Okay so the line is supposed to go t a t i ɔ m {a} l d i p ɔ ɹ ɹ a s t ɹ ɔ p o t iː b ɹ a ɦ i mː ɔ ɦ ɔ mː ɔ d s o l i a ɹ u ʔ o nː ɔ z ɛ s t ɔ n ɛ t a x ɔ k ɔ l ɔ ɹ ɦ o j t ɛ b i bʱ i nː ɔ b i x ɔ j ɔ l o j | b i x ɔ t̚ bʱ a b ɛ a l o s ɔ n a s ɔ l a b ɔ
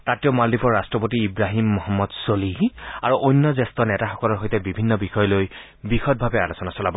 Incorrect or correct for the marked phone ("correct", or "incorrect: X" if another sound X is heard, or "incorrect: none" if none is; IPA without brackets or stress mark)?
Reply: correct